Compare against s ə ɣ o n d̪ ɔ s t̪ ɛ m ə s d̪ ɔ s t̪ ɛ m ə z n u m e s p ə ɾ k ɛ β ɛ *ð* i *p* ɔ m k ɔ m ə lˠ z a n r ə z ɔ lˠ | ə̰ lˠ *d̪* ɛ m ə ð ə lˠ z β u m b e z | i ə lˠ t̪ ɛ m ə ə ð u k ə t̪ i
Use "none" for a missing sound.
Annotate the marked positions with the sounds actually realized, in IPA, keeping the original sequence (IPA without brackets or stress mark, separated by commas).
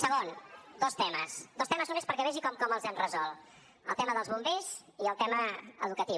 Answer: ʒ, k, t̪